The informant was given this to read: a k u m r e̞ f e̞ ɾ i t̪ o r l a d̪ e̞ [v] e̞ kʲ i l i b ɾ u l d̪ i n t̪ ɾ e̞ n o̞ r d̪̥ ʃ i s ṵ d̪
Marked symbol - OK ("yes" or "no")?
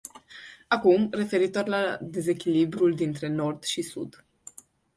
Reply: no